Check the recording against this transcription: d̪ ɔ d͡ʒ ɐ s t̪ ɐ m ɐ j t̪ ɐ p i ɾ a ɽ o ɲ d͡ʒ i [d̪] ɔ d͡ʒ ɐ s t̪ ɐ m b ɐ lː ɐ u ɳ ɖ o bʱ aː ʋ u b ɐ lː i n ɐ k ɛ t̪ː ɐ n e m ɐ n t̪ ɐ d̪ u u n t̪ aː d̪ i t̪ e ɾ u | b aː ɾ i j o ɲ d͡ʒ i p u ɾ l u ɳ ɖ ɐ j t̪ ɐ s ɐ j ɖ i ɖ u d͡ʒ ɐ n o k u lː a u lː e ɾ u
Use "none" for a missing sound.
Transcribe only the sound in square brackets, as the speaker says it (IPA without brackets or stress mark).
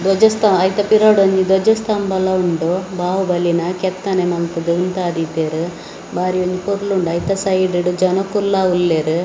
d̪